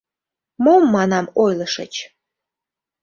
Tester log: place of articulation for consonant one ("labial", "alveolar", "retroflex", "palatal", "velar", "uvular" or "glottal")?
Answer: labial